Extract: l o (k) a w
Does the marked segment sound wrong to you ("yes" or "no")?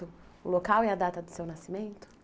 no